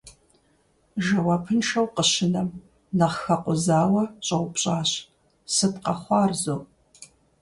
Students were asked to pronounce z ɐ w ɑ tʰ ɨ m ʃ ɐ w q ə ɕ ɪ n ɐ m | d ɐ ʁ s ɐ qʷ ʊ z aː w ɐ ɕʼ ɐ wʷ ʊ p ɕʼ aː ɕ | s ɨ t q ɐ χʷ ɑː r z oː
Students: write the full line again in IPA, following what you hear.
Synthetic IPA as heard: ʒ ɐ w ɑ pʰ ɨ n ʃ ɐ w q ə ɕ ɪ n ɐ m | n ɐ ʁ x ɐ qʷ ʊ z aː w ɐ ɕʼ ɐ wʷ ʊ p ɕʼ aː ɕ | s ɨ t q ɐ χʷ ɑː r z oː